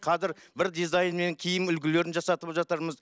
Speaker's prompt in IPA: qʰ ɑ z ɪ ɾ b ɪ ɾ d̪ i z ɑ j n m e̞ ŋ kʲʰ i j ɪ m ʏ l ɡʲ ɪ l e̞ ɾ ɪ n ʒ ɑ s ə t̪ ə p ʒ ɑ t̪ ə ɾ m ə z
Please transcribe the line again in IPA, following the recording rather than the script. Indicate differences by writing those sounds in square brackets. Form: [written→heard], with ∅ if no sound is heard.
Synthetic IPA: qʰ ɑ z ɪ ɾ b ɪ ɾ d̪ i z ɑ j n m e̞ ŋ kʲʰ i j ɪ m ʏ l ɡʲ ɪ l e̞ ɾ ɪ n ʒ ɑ s [ə→ɑ] t̪ ə p ʒ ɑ t̪ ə ɾ m ə z